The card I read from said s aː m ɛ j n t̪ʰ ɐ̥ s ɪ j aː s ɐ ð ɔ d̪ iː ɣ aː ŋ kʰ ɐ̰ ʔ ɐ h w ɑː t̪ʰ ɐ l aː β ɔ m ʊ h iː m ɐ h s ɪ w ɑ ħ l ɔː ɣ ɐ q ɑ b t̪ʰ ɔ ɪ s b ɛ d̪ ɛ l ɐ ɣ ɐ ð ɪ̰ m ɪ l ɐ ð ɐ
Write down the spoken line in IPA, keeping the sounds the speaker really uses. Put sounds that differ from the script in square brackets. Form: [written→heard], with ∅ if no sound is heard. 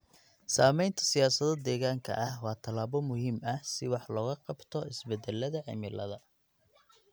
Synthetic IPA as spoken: s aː m ɛ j n t̪ʰ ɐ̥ s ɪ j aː s ɐ ð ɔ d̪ [iː→ɛː] ɣ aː ŋ kʰ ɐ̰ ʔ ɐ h w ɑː t̪ʰ ɐ l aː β ɔ m ʊ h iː m ɐ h s ɪ w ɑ ħ l ɔː ɣ ɐ q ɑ b t̪ʰ ɔ ɪ s b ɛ d̪ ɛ l ɐ [ɣ→ð] ɐ [ð→ʕ] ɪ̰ m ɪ l ɐ ð ɐ